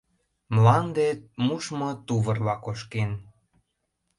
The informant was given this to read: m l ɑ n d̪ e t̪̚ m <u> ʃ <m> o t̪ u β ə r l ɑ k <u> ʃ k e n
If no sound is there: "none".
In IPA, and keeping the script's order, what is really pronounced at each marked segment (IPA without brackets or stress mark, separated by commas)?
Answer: u, m, o